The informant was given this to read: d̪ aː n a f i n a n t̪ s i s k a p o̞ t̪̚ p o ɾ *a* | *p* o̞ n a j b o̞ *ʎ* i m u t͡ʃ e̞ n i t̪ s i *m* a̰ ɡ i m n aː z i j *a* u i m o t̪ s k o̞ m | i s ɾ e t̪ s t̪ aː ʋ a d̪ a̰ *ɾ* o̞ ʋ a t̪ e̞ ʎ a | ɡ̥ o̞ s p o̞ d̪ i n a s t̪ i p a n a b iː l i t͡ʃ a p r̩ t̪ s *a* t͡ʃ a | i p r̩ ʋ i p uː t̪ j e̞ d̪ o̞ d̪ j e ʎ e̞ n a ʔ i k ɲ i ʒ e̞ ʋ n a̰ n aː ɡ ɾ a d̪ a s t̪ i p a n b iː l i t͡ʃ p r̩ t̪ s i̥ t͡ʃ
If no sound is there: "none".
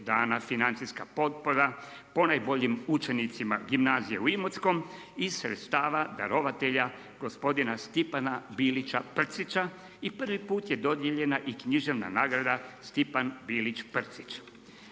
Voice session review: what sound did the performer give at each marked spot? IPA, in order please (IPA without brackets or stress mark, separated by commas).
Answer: a, p, ʎ, m, e, ɾ, i